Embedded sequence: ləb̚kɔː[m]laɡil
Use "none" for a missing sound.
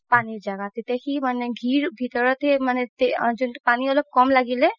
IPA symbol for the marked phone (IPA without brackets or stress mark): m